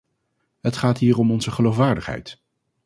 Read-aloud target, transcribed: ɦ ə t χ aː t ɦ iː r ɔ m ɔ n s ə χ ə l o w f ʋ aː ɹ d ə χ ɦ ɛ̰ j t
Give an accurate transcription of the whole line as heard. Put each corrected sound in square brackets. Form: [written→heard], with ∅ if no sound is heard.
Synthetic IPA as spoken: ɦ ə t χ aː t ɦ iː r ɔ m ɔ n [s→z] ə χ ə l o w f ʋ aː ɹ d ə χ ɦ ɛ̰ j t